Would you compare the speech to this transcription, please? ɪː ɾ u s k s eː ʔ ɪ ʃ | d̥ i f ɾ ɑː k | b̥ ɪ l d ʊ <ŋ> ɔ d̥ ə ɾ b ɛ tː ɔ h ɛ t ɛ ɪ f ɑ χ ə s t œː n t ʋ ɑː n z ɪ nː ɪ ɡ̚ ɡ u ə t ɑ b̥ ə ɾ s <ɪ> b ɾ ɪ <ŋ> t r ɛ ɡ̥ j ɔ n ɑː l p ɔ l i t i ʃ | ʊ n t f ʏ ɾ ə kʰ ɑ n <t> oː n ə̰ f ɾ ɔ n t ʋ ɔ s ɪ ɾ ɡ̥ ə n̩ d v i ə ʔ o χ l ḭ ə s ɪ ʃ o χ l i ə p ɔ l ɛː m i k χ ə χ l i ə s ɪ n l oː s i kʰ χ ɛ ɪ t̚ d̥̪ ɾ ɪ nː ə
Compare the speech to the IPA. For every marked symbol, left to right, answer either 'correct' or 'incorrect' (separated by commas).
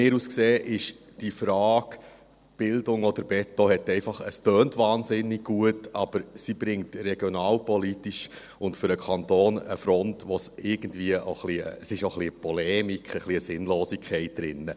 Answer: correct, incorrect, correct, correct